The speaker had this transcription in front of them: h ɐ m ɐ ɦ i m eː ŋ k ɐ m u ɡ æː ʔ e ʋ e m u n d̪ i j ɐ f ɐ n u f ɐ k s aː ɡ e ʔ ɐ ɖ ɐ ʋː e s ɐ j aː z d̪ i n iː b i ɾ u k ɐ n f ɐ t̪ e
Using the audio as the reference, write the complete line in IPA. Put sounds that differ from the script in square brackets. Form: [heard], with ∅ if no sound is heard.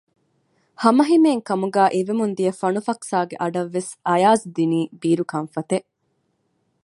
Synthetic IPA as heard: h ɐ m ɐ ɦ i m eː ŋ k ɐ m u ɡ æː ʔ e ʋ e m u n d̪ i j ɐ f ɐ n u f ɐ k s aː ɡ e ʔ ɐ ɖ ɐ ʋː e s ɐ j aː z d̪ i n iː b [iː] ɾ u k ɐ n f ɐ t̪ e